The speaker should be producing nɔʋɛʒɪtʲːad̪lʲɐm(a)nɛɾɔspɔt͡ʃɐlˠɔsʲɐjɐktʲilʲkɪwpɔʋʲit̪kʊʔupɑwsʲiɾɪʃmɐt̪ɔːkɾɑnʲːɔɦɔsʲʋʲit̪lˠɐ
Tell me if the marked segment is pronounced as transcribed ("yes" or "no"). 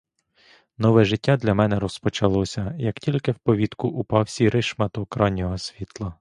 no